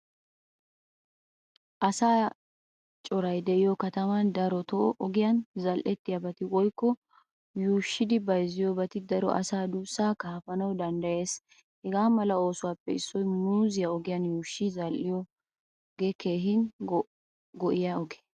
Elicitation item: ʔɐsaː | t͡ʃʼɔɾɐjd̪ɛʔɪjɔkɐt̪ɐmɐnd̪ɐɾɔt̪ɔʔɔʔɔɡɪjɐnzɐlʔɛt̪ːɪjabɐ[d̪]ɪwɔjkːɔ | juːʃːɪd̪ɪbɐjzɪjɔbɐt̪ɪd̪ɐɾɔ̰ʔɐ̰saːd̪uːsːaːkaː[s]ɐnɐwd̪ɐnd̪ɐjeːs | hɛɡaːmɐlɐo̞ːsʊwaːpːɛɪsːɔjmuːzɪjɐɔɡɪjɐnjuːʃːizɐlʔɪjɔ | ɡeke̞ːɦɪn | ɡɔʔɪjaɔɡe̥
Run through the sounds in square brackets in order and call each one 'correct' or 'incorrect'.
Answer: incorrect, incorrect

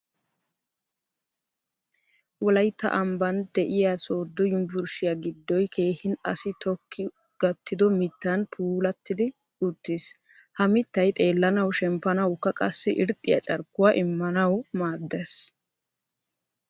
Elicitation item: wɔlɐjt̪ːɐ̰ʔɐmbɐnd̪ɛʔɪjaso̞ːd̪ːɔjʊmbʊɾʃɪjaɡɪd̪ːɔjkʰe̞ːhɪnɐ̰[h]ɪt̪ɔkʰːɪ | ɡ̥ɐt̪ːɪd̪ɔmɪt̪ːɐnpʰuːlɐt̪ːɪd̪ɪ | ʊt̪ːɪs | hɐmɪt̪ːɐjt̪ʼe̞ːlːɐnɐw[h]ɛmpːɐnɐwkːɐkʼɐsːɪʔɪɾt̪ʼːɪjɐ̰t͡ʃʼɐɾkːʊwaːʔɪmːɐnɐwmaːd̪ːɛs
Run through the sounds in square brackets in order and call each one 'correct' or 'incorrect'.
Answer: incorrect, incorrect

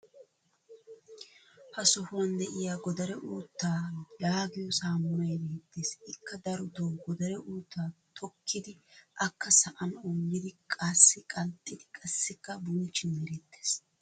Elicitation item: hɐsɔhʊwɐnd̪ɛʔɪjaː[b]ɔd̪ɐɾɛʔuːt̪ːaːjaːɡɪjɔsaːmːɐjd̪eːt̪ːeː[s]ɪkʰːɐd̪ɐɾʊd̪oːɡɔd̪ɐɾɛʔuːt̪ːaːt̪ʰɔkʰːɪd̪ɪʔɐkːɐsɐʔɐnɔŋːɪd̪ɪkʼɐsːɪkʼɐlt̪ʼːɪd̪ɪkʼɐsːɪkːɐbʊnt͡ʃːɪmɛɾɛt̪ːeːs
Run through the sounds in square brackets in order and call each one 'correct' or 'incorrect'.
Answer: incorrect, correct

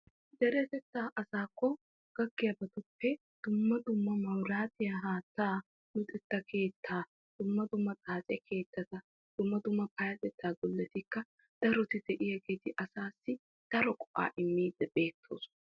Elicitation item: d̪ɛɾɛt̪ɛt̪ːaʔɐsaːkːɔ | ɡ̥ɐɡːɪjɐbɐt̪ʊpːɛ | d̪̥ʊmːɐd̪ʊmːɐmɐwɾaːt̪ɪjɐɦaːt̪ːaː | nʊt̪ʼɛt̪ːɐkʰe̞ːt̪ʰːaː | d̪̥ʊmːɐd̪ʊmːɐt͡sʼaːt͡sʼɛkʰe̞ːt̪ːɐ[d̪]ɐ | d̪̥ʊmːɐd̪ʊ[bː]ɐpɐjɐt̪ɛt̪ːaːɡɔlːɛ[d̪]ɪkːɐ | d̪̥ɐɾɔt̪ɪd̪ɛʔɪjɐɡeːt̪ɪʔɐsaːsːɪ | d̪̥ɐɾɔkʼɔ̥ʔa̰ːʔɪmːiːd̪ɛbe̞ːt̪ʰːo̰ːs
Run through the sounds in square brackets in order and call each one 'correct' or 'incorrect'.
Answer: incorrect, incorrect, incorrect

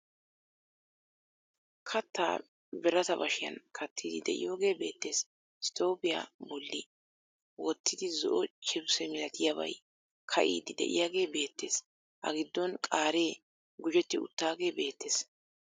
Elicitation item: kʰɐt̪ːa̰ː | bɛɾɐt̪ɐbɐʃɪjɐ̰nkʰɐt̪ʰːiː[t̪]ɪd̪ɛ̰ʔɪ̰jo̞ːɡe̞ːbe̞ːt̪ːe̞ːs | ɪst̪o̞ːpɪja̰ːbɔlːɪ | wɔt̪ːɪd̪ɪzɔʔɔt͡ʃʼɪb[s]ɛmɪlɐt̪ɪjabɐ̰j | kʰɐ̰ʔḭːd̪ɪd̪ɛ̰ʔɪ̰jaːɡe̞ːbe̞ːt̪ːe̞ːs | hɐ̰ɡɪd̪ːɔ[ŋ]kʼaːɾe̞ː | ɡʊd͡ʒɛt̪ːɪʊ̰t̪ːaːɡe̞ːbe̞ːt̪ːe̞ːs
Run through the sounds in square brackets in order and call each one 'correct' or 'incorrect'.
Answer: incorrect, correct, incorrect

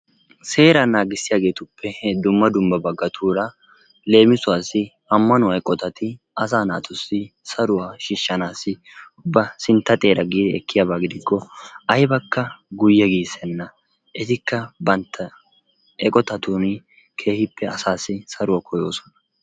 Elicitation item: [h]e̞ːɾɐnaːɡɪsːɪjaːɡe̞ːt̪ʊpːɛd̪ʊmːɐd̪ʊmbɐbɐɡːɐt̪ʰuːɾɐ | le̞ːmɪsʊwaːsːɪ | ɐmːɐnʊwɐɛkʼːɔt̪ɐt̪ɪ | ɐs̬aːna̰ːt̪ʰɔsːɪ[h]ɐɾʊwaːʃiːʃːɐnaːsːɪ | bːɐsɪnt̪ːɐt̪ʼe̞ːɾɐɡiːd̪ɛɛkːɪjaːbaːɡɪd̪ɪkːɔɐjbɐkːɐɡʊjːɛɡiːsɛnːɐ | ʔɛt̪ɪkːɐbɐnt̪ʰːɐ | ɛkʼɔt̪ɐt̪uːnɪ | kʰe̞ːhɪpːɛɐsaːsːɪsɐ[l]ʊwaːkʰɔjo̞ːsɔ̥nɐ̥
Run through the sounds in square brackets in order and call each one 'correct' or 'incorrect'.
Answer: incorrect, incorrect, incorrect

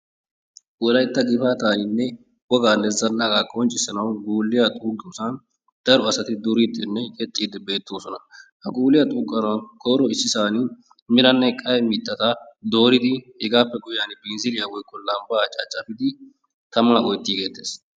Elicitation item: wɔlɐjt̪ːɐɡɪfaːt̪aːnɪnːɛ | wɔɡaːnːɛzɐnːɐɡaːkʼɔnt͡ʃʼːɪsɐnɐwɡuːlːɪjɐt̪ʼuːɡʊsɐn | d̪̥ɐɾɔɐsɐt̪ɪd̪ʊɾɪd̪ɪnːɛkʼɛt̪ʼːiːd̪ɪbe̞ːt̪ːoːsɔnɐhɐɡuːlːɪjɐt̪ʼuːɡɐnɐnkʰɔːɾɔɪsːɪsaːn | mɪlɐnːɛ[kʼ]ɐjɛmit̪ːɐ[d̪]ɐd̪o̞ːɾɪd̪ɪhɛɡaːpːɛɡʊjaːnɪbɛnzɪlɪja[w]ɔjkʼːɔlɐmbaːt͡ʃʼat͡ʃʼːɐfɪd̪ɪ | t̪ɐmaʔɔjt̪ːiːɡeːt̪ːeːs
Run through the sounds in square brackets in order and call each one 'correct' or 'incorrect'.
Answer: correct, incorrect, correct

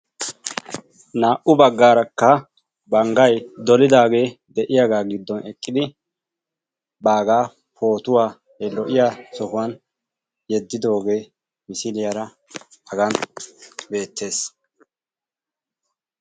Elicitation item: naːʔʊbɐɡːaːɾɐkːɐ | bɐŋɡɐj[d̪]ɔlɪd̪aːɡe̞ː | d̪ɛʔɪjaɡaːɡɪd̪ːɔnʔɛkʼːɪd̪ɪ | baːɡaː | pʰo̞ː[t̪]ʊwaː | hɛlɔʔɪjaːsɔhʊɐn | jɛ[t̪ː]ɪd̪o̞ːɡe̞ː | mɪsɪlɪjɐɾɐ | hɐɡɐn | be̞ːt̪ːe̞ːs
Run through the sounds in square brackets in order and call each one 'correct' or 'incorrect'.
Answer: correct, correct, incorrect

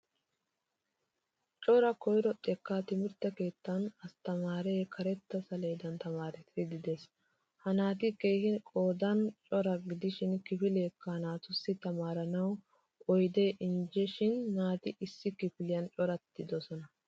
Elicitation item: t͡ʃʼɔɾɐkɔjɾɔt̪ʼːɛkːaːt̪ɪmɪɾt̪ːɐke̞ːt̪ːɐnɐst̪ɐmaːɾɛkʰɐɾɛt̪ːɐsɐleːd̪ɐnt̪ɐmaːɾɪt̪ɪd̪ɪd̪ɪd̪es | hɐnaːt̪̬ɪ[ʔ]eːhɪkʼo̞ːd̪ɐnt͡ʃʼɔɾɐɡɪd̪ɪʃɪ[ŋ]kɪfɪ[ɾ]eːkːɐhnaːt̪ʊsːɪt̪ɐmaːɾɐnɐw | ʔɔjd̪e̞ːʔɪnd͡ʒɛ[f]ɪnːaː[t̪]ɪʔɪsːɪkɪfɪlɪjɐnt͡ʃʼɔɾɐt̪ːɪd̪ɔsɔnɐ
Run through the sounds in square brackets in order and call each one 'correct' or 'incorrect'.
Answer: incorrect, incorrect, incorrect, incorrect, correct

